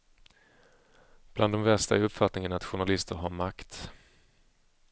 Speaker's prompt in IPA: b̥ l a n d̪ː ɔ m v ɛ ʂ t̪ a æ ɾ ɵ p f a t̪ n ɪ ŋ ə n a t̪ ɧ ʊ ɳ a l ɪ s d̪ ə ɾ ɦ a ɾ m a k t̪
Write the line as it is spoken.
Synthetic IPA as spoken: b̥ l a n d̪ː ɔ m v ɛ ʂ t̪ a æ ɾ ɵ p f a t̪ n ɪ ŋ ə n a t̪ ɧ ʊ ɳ a l ɪ s t̪ ə ɾ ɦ a ɾ m a k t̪